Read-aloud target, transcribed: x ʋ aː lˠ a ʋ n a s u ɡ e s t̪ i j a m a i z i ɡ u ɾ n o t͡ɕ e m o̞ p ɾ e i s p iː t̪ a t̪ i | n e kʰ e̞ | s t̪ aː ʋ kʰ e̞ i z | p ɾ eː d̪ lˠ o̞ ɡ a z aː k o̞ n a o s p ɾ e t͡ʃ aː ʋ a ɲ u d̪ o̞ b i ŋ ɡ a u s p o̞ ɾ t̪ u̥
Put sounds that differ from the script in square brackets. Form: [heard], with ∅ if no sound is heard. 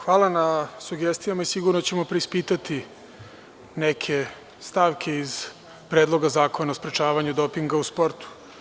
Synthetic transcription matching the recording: x ʋ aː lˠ a [∅] n a s u ɡ e s t̪ i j a m a i [s] i ɡ u ɾ n o t͡ɕ e m o̞ p ɾ e i s p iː t̪ a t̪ i | n e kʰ e̞ | s t̪ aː ʋ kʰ e̞ i z | p ɾ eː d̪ lˠ o̞ ɡ a z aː k o̞ n a o s p ɾ e t͡ʃ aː ʋ a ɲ u d̪ o̞ [p] i ŋ ɡ a u s p o̞ ɾ t̪ u̥